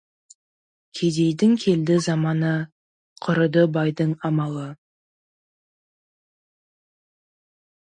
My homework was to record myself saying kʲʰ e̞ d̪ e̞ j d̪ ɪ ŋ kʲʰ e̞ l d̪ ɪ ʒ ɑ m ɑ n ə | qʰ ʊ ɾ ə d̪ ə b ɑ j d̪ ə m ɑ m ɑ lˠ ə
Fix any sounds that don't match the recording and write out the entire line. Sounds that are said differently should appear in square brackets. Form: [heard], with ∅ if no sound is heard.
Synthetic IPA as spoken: kʲʰ e̞ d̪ e̞ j d̪ ɪ ŋ kʲʰ e̞ l d̪ ɪ [z] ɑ m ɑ n ə | qʰ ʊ ɾ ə d̪ ə b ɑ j d̪ ə [ɴ] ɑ m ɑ lˠ ə